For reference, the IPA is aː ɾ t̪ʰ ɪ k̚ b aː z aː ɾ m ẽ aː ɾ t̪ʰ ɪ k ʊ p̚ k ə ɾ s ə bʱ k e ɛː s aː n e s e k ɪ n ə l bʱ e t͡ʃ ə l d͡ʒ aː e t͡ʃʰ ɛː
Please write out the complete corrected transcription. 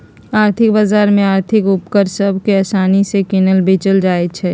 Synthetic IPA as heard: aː ɾ t̪ʰ ɪ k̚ b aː z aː ɾ m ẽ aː ɾ t̪ʰ ɪ k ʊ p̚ k ə ɾ s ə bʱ k e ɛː s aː n i s e k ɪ n ə l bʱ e t͡ʃ ə l d͡ʒ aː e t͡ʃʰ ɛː